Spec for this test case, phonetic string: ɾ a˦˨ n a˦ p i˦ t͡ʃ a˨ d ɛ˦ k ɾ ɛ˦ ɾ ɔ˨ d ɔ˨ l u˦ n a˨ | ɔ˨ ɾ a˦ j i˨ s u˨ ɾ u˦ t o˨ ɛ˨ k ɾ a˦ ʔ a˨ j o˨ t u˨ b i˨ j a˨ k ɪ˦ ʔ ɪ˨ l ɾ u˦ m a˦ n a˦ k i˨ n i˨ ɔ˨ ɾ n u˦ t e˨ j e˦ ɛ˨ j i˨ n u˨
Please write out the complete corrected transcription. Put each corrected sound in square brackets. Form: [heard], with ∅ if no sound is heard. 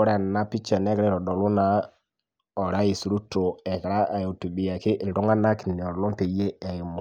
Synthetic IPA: ɾ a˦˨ n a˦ p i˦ t͡ʃ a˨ [n] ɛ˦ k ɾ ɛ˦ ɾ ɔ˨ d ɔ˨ l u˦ n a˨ | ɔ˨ ɾ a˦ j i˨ s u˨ ɾ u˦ t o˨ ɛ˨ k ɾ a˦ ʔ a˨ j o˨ t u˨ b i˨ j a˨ k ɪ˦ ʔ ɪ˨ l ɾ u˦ [ŋ] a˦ n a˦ k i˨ n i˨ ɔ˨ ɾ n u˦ t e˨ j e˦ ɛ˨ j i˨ [m] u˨